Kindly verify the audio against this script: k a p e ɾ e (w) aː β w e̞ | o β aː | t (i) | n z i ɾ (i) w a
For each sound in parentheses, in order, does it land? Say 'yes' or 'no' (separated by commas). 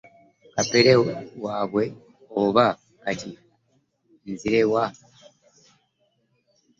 yes, yes, no